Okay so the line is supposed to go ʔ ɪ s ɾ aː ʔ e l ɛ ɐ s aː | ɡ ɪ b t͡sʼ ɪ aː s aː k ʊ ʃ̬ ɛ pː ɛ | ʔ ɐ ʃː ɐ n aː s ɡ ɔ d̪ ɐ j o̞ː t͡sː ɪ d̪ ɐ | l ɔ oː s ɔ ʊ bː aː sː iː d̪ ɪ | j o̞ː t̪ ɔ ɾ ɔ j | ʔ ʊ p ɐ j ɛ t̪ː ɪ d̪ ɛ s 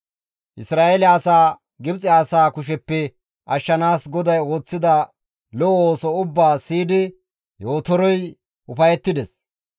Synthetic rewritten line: ʔ ɪ s ɾ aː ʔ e l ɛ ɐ s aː | ɡ ɪ b t͡sʼ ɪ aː s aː k ʊ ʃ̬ ɛ pː ɛ | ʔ ɐ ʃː ɐ n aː s ɡ ɔ d̪ ɐ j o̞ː t͡sː ɪ d̪ ɐ | l ɔ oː s ɔ ʊ bː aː s iː d̪ ɪ | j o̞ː t̪ ɔ ɾ ɔ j | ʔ ʊ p ɐ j ɛ t̪ː ɪ d̪ ɛ s